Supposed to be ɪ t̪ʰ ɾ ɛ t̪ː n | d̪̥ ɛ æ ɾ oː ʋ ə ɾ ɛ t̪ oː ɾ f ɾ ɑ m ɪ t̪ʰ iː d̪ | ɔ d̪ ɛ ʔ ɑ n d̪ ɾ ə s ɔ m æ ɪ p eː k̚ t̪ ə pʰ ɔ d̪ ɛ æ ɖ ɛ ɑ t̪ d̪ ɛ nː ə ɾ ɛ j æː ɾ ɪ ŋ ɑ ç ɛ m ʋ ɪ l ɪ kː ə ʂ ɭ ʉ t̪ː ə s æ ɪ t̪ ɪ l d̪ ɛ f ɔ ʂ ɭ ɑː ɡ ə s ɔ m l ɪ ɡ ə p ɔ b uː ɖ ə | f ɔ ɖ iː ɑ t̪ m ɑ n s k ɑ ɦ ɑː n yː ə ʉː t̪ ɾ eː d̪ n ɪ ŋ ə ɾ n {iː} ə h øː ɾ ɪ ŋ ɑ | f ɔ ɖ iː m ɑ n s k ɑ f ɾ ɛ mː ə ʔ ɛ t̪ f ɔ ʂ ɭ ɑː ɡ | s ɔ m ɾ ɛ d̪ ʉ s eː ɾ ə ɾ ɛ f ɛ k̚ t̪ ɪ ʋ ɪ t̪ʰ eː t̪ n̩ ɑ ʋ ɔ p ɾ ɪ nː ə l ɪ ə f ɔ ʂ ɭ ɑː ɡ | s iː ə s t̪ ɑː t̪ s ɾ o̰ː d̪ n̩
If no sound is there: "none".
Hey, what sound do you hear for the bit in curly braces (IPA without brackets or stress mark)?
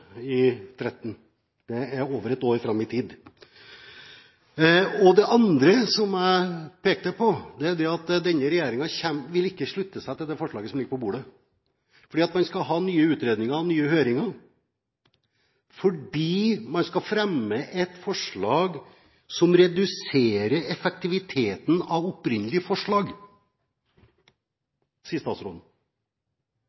yː